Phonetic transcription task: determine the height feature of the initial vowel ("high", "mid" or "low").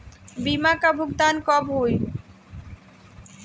high